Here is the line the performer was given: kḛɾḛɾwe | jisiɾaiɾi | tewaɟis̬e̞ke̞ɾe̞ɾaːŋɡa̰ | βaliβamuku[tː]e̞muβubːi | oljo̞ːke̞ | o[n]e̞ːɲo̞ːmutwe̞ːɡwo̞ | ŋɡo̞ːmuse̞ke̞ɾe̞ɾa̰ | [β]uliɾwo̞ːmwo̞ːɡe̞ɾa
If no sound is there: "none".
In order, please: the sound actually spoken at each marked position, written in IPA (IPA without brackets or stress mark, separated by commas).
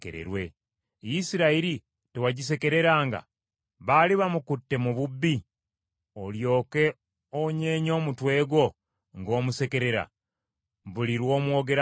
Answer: tː, ɲ, β